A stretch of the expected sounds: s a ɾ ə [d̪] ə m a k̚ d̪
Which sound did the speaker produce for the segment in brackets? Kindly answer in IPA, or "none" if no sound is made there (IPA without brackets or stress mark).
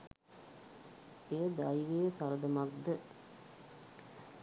d̪